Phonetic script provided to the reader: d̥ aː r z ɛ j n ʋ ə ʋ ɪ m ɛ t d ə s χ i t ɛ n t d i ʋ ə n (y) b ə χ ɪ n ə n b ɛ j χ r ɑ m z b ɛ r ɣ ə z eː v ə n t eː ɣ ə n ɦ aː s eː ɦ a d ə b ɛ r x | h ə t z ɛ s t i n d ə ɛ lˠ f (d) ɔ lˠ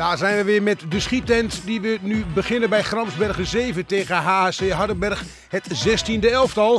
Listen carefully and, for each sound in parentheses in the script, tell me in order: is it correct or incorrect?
correct, incorrect: t

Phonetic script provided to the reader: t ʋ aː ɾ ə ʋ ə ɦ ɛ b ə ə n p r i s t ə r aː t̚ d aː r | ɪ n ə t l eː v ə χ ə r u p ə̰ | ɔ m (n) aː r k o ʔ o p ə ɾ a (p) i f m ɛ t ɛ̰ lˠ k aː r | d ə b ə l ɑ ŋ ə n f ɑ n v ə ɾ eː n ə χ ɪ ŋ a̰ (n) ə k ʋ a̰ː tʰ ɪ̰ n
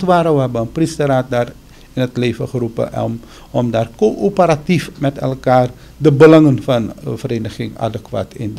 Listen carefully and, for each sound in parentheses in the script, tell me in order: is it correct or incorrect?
incorrect: d, incorrect: t, incorrect: d

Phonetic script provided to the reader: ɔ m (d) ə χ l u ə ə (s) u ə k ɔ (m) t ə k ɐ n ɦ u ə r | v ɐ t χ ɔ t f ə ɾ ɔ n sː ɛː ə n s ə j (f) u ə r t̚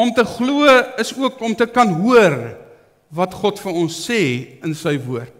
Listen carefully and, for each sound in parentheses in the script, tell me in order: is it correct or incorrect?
incorrect: t, correct, correct, incorrect: v

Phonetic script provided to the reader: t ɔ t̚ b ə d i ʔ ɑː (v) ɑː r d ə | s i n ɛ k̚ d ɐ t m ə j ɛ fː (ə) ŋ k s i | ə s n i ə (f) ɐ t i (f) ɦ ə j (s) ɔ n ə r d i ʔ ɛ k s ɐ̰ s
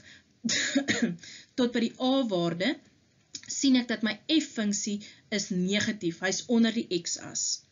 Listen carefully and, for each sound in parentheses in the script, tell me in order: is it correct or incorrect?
correct, correct, incorrect: χ, correct, correct

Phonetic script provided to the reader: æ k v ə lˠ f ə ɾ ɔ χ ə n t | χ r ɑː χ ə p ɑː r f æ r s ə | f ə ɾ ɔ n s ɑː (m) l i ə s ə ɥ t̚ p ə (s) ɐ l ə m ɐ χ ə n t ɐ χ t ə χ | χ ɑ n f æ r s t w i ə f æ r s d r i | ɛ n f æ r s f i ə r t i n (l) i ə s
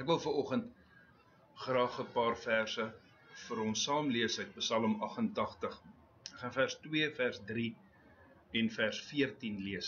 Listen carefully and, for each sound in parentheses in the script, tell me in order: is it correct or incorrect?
correct, correct, correct

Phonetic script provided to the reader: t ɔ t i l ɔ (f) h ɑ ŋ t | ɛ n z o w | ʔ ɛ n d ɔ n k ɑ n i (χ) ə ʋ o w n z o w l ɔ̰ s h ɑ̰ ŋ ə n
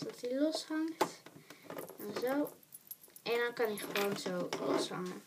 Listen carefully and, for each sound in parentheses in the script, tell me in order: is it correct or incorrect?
incorrect: s, correct

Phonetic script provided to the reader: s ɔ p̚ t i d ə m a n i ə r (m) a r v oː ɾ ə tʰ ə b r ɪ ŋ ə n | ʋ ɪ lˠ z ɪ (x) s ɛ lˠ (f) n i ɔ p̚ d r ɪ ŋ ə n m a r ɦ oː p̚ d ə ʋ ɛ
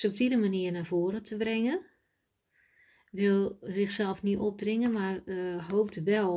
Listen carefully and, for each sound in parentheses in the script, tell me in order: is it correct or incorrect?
incorrect: n, correct, correct

